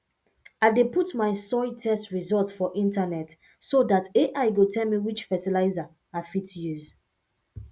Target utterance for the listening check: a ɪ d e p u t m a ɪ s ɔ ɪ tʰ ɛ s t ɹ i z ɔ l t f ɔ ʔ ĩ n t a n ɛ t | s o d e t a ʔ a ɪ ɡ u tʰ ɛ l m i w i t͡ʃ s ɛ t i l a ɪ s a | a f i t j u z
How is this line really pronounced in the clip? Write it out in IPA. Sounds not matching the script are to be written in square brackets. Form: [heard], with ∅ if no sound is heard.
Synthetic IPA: a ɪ d e p u t m a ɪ s ɔ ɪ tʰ ɛ s t ɹ i z ɔ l t f ɔ ʔ ĩ n t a n ɛ t | s o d [a] t [e] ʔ a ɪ ɡ [o] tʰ ɛ l m i w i t͡ʃ [f] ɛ t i l a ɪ [z] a | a f i t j u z